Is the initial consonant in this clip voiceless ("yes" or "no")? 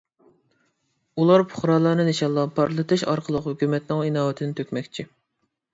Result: no